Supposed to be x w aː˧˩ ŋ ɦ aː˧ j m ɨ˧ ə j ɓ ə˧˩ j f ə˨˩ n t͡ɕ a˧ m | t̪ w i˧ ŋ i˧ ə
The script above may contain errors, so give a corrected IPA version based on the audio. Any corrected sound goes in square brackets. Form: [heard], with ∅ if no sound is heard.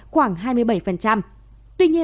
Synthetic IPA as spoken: x w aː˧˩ ŋ ɦ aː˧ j m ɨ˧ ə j ɓ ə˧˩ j f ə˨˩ n t͡ɕ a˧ m | t̪ w i˧ [ɲ] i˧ ə